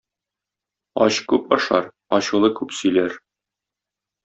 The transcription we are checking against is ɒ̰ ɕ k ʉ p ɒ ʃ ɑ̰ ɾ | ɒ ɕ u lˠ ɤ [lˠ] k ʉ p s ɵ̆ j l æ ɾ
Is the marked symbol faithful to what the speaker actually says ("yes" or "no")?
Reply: no